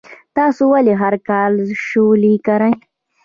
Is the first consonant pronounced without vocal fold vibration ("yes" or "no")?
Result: yes